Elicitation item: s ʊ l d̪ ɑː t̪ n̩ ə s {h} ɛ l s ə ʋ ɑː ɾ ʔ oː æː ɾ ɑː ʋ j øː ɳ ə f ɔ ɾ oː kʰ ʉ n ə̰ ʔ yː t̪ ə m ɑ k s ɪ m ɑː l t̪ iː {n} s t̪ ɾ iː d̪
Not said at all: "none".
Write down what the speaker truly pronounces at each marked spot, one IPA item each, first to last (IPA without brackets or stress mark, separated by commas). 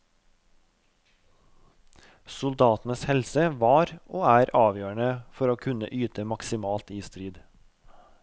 h, none